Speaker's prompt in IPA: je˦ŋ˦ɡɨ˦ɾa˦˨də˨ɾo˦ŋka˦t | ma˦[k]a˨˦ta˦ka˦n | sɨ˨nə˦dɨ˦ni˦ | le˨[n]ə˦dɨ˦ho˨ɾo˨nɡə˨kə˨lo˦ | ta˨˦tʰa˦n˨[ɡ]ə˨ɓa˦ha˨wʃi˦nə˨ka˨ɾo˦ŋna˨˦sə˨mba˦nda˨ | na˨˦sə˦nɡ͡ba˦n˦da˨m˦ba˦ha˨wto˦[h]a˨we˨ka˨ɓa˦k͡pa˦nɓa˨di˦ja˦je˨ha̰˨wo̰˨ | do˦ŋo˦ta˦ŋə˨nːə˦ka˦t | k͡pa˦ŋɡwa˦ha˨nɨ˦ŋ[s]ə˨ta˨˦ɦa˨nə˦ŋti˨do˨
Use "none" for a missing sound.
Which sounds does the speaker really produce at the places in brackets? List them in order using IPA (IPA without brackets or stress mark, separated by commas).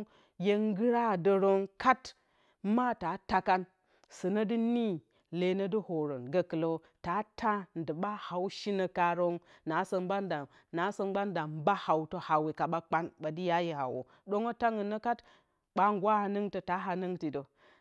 t, n, d, h, t